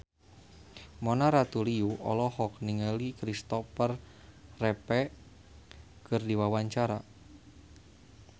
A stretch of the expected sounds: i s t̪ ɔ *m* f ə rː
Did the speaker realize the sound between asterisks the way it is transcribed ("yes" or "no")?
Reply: no